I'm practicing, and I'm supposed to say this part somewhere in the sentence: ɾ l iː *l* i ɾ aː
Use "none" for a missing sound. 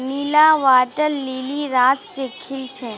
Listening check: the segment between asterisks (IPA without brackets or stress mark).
l